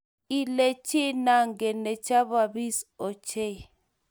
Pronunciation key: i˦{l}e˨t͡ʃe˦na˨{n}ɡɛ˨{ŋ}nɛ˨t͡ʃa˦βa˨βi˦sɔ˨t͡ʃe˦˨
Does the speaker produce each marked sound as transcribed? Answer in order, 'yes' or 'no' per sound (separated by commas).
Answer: yes, no, no